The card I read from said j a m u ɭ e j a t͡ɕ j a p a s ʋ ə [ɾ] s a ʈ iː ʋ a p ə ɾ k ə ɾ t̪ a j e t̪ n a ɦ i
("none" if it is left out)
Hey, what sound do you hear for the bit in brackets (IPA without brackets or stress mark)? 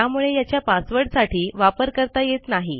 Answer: ɽ